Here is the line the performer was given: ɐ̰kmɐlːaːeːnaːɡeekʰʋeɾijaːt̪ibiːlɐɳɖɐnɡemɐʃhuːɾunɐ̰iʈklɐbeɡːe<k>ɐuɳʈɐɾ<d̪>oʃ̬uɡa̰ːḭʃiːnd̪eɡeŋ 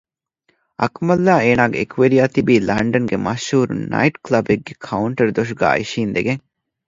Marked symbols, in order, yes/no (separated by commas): no, yes